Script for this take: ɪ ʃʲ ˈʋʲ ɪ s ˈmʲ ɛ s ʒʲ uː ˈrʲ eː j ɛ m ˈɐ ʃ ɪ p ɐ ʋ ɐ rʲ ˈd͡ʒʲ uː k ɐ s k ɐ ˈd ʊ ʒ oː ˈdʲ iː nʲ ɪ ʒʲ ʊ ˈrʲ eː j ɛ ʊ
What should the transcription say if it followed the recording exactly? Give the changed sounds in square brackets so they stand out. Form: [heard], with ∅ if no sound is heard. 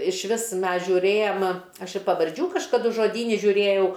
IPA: ɪ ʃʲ ˈʋʲ ɪ s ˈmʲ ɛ s ʒʲ uː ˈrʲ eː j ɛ m ˈɐ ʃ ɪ p ɐ ʋ ɐ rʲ ˈd͡ʒʲ uː k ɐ [ʃ] k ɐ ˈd ʊ ʒ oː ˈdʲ iː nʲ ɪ ʒʲ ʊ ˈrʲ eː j ɛ ʊ